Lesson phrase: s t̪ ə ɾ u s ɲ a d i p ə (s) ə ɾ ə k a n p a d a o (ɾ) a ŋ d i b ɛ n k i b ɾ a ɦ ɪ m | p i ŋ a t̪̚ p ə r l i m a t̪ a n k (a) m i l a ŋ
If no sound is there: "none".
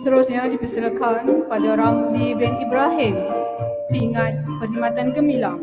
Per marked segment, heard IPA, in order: s, ɾ, ə

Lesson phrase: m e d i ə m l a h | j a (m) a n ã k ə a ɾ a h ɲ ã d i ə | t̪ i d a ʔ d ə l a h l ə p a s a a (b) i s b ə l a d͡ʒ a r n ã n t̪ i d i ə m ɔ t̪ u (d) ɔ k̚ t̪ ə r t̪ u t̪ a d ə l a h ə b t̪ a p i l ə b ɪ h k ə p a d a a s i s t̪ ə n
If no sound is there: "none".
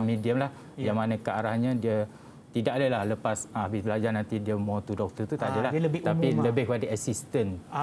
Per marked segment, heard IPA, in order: m, b, d

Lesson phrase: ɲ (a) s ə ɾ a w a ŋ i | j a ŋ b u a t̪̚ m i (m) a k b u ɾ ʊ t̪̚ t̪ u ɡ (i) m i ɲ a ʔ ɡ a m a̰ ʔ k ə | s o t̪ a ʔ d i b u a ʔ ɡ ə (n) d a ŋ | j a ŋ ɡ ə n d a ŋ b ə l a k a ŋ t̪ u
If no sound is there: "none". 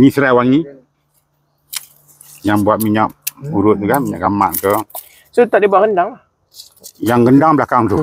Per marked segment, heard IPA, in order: i, ɲ, a, n

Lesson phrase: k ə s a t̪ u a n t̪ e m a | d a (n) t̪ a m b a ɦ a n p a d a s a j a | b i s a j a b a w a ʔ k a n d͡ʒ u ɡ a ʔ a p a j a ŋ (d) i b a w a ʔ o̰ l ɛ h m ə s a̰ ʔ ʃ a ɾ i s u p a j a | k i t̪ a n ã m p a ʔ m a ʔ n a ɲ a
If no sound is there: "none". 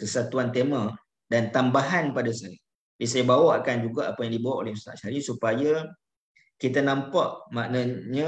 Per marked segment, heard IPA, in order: n, d

